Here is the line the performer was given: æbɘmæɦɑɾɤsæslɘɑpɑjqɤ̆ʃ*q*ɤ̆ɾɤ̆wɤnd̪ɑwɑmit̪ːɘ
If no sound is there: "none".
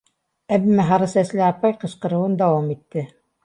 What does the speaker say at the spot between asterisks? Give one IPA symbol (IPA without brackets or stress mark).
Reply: q